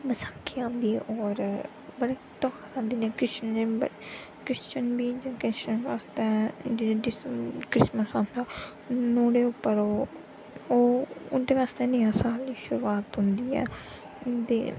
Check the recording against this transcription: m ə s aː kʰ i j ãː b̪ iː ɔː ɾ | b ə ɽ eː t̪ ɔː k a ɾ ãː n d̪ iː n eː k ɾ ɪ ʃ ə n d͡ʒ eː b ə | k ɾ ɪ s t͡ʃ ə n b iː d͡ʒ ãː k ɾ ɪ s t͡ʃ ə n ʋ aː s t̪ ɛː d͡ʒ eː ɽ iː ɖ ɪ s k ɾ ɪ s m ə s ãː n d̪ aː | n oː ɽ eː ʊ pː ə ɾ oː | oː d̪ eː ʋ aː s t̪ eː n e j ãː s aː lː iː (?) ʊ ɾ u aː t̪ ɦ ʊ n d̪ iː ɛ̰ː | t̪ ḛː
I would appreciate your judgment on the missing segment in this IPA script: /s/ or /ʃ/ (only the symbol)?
ʃ